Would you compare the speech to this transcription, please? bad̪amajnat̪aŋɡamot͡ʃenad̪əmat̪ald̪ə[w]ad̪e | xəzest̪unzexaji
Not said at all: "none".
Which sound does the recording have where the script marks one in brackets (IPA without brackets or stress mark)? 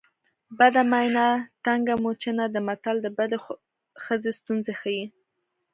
b